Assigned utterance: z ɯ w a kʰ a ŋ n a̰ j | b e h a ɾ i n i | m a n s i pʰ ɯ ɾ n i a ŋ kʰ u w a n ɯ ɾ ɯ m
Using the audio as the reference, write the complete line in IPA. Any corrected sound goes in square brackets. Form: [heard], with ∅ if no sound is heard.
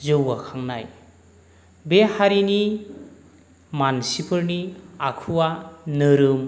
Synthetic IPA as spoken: z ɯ w a kʰ a ŋ n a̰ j | b e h a ɾ i n i | m a n s i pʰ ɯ ɾ n i a [∅] kʰ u w a n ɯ ɾ ɯ m